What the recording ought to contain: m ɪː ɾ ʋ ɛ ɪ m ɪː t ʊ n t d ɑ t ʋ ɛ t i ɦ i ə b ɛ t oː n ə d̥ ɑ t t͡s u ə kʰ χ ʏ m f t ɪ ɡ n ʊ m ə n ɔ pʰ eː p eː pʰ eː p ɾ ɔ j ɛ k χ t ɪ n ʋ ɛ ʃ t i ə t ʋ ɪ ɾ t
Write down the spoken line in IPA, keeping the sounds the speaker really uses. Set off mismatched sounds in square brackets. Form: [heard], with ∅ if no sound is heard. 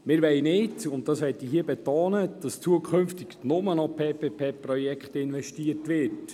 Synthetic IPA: m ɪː ɾ ʋ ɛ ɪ [n] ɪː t ʊ n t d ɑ [s] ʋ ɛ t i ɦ i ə b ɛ t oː n ə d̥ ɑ [s] t͡s u ə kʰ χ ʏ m f t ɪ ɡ n ʊ m ə n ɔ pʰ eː p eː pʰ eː p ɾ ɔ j ɛ k χ t ɪ n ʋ ɛ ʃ t i ə t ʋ ɪ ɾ t